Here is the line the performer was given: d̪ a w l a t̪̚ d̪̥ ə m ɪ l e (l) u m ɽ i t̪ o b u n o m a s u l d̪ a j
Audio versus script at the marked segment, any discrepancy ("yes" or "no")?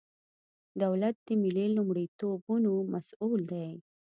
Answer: no